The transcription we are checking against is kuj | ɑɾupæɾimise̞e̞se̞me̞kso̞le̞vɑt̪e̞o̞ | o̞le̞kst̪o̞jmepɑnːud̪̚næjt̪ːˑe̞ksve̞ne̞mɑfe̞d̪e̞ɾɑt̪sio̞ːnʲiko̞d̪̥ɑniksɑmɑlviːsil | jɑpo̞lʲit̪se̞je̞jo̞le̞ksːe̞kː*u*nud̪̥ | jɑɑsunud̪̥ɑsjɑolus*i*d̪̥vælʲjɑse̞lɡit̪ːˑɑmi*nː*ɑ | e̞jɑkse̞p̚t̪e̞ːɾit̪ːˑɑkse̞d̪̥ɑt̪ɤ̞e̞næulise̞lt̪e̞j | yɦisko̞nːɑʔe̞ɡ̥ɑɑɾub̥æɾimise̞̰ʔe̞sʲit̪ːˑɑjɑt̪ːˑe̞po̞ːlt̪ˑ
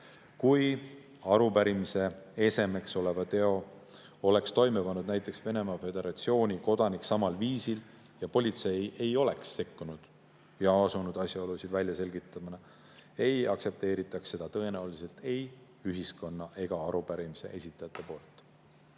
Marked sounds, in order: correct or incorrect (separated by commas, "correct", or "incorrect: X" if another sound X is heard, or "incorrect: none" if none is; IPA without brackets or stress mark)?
correct, correct, incorrect: n